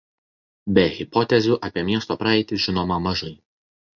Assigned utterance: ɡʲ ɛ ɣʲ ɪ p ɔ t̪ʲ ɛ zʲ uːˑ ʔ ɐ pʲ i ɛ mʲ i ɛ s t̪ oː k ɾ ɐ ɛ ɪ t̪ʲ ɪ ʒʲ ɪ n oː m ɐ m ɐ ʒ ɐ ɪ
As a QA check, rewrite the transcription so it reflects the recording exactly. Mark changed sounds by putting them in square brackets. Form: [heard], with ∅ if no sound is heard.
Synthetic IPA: [bʲ] ɛ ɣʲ ɪ p ɔ t̪ʲ ɛ zʲ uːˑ ʔ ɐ pʲ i ɛ mʲ i ɛ s t̪ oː [p] ɾ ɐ ɛ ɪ t̪ʲ ɪ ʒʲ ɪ n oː m ɐ m ɐ ʒ ɐ ɪ